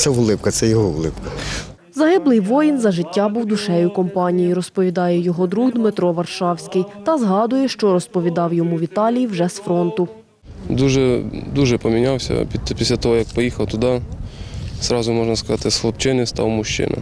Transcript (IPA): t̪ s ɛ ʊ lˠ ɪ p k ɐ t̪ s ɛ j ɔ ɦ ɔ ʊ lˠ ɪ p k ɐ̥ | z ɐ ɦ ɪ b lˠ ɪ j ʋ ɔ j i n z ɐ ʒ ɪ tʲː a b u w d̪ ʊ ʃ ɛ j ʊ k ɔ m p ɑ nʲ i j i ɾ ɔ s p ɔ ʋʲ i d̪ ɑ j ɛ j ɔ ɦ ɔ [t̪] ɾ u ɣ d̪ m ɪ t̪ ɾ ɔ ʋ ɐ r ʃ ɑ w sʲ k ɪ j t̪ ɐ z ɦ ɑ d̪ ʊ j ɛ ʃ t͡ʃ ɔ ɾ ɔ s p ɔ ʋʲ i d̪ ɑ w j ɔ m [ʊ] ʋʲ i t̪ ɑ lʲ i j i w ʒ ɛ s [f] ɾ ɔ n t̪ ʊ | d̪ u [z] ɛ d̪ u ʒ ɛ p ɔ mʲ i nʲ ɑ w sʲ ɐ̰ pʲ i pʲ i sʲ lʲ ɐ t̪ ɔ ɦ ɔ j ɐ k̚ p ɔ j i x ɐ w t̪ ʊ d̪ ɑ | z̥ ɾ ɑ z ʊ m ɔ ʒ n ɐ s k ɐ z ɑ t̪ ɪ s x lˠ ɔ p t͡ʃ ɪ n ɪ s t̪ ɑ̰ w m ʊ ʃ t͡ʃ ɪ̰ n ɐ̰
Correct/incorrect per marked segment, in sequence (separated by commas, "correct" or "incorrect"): incorrect, incorrect, correct, incorrect